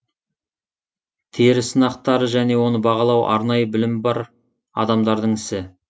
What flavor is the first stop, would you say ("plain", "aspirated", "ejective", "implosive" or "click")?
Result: aspirated